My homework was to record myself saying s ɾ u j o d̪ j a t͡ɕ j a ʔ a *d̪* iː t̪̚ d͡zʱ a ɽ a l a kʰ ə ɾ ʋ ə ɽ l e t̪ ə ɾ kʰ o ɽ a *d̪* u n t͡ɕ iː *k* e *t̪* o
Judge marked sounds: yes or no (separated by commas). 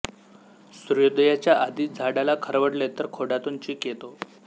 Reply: yes, no, yes, yes